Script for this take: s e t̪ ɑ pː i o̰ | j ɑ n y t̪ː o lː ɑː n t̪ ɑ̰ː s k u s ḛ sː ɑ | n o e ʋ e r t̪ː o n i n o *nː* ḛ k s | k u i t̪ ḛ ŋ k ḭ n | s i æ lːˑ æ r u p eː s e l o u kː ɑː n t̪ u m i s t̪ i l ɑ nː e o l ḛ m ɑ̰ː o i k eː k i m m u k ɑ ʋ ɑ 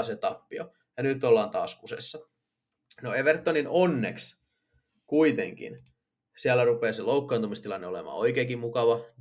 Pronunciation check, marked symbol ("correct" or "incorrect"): correct